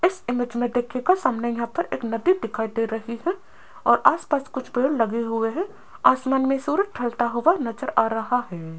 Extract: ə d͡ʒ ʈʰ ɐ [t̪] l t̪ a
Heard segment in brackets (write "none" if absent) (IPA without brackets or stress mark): none